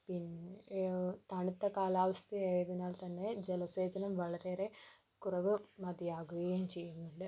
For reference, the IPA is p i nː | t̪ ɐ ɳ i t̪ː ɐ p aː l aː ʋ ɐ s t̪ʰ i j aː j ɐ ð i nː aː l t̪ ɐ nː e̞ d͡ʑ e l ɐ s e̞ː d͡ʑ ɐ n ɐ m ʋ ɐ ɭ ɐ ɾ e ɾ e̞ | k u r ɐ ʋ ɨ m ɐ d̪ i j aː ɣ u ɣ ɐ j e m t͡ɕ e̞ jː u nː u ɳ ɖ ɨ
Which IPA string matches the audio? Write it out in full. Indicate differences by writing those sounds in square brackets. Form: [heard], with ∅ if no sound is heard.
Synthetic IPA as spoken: p i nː | t̪ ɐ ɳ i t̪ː ɐ [k] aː l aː ʋ ɐ s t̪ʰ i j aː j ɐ ð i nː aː l t̪ ɐ nː e̞ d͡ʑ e l ɐ s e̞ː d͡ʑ ɐ n ɐ m ʋ ɐ ɭ ɐ ɾ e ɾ e̞ | k u r ɐ ʋ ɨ m ɐ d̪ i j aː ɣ u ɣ ɐ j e m t͡ɕ e̞ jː u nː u ɳ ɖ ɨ